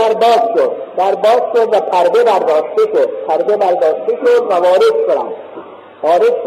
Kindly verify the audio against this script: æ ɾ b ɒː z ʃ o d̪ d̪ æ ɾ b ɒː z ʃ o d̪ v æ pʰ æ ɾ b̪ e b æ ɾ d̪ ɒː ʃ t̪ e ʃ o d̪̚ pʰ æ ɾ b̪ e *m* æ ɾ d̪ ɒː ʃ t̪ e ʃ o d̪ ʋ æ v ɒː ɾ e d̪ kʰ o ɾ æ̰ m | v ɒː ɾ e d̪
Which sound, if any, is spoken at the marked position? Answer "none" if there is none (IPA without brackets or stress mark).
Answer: b